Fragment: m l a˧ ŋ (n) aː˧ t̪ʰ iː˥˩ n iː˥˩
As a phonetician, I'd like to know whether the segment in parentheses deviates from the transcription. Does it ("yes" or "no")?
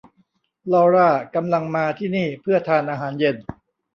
yes